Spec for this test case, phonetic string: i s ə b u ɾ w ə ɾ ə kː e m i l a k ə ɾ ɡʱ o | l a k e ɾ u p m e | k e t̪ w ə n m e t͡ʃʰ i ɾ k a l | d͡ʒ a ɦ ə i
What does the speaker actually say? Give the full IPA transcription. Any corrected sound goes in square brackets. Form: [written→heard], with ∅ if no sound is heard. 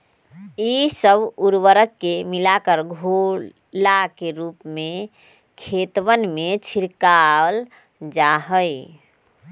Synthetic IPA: i s ə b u ɾ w ə ɾ ə kː e m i l a k ə ɾ ɡʱ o | l a k e ɾ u p m e | [k→kʰ] e t̪ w ə n m e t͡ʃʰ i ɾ k a l | d͡ʒ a ɦ ə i